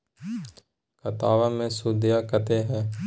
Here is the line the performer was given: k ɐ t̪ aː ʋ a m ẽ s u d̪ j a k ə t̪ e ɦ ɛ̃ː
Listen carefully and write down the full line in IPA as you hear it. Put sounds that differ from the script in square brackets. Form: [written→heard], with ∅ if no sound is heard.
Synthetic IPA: k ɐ t̪ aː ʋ a m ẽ s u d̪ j a k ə t̪ e ɦ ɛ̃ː